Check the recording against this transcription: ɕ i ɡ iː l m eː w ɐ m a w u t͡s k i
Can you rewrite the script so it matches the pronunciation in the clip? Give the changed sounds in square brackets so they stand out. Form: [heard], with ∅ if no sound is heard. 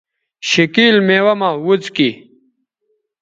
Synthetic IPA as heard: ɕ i [k] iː l m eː w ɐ m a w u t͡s k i

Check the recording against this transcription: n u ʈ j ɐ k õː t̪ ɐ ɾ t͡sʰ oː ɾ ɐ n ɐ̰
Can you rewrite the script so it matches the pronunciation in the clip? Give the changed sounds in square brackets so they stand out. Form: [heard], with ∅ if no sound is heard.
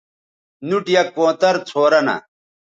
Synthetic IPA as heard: n u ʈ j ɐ k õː t̪ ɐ ɾ t͡sʰ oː ɾ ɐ n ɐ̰

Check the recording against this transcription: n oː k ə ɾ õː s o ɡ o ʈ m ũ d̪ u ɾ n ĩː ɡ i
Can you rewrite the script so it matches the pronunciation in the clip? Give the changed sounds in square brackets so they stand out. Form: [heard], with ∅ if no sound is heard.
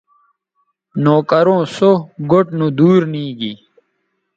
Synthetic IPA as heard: n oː k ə ɾ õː s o ɡ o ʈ [n] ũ d̪ [uː] ɾ n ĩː ɡ i

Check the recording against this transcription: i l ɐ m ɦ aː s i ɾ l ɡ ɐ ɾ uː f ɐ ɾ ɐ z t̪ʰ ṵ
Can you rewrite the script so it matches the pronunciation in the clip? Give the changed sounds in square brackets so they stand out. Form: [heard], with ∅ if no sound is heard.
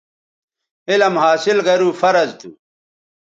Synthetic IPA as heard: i l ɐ m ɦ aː s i [∅] l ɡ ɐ ɾ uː f ɐ ɾ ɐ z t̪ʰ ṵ

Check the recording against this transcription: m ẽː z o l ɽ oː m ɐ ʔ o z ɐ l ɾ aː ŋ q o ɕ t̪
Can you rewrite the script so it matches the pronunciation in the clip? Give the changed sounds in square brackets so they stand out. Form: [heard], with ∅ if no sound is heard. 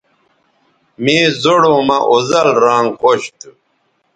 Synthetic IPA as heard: m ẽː z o [∅] ɽ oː m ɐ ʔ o z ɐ l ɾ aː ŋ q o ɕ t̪

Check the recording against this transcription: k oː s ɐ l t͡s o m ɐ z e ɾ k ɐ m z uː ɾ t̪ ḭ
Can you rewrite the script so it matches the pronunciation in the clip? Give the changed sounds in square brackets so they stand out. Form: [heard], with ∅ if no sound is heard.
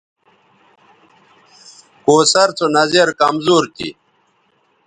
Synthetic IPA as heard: k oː s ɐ [ɾ] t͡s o [n] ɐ z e ɾ k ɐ m z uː ɾ t̪ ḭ

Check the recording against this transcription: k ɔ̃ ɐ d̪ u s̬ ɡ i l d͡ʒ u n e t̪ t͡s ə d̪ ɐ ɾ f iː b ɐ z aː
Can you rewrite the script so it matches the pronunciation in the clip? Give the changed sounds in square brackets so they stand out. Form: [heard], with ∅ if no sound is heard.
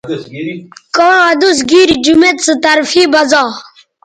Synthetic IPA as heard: k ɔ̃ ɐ d̪ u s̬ ɡ i [ɾ] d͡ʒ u [m] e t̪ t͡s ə [t̪] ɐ ɾ f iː b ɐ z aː

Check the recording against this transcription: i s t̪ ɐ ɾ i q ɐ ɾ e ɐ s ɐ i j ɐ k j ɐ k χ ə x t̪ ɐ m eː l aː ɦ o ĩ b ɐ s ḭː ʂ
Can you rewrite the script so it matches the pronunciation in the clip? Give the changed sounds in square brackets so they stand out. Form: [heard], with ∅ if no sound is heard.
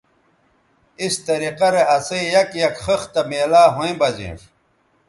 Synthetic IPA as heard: i s t̪ ɐ ɾ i q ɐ ɾ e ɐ s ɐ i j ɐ k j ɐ k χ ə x t̪ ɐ m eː l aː ɦ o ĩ b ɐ [z] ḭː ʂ

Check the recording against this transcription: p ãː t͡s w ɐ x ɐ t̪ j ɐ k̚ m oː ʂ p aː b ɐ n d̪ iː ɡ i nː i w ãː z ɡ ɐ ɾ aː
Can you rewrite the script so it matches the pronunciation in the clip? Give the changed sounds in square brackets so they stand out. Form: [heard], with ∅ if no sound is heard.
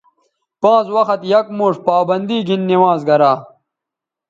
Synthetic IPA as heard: p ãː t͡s w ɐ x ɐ t̪ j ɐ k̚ m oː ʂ p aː b ɐ n d̪ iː ɡ i nː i w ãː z ɡ ɐ ɾ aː

